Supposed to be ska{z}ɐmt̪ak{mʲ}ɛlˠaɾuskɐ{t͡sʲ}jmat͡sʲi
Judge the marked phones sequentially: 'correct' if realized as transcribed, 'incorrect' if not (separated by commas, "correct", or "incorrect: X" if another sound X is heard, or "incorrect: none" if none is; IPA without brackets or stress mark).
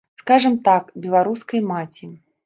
incorrect: ʐ, incorrect: bʲ, incorrect: none